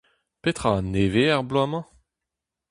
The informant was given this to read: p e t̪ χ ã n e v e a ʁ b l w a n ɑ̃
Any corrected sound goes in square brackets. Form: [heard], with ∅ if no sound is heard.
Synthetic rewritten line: p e t̪ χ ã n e v e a ʁ b l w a [m] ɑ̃